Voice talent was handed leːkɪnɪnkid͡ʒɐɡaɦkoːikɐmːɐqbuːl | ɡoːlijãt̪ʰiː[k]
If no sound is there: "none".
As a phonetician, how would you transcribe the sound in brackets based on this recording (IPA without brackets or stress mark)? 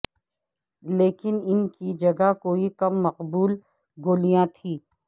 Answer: none